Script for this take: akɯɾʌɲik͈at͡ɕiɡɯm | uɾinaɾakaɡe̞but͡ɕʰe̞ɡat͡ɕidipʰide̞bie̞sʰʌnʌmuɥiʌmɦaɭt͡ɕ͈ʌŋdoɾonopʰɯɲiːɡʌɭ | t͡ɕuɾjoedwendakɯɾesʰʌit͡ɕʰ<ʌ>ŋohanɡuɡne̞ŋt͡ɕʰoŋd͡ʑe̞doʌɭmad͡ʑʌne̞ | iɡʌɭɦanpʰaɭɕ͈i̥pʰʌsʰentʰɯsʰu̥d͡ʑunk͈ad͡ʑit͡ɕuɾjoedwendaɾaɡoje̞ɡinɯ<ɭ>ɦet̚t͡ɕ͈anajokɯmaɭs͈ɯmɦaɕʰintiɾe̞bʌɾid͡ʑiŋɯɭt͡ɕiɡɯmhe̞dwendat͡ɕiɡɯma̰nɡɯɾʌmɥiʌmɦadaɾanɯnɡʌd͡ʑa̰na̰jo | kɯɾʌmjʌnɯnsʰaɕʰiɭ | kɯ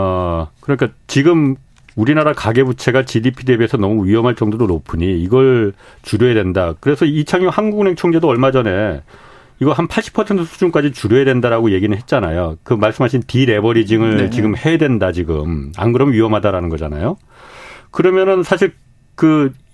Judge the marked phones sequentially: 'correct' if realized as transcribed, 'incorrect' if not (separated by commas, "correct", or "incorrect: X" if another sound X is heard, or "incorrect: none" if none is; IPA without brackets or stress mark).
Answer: incorrect: a, correct